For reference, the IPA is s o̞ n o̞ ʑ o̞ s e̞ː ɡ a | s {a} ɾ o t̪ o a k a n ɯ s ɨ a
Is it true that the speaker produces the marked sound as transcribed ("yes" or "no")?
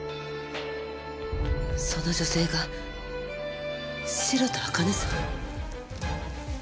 no